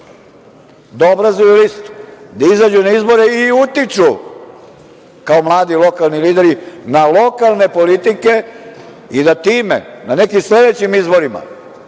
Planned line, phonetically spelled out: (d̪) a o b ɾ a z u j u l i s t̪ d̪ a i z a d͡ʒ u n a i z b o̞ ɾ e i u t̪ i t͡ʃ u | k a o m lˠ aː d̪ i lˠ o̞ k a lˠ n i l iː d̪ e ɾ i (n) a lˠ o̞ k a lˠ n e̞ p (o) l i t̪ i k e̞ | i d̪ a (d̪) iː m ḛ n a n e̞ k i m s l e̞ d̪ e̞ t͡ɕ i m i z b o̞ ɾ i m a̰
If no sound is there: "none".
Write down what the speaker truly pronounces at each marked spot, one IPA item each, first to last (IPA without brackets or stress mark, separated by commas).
d̪, n, o, t̪